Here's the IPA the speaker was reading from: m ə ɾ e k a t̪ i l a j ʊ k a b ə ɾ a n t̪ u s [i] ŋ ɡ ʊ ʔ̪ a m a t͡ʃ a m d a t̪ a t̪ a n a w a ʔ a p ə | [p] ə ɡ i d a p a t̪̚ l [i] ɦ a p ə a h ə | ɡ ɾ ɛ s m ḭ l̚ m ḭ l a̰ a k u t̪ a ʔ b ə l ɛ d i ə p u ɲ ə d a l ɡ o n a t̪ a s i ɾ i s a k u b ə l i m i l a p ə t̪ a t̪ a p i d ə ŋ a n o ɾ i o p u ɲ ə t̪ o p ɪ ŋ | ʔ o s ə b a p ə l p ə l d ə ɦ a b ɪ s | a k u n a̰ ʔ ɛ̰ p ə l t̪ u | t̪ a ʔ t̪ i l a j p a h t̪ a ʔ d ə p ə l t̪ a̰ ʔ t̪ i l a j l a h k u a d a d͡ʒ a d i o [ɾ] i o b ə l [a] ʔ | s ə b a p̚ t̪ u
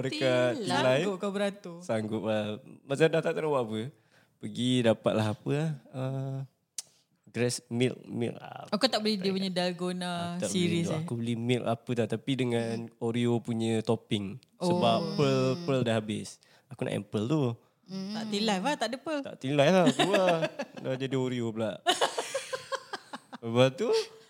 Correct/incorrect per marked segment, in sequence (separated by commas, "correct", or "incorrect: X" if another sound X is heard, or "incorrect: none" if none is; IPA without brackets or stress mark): incorrect: a, correct, incorrect: a, correct, correct